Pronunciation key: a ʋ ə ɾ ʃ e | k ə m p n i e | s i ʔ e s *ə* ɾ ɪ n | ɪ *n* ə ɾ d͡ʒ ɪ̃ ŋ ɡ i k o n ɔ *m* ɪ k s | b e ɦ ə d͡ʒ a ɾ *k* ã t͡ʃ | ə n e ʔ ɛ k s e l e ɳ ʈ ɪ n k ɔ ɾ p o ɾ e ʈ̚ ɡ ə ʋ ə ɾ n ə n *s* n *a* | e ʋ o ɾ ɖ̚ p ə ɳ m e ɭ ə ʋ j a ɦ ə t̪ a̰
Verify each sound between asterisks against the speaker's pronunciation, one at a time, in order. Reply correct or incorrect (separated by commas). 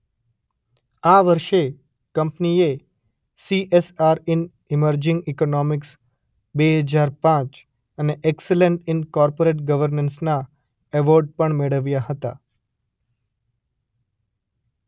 incorrect, incorrect, correct, incorrect, correct, correct